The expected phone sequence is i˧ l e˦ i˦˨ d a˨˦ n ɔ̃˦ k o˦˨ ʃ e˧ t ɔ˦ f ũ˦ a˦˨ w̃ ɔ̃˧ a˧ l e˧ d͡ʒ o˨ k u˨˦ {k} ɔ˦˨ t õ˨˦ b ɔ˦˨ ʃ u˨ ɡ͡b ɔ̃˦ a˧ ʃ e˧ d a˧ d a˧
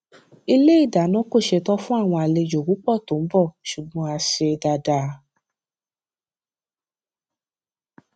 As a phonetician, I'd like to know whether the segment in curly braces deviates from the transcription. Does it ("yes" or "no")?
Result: yes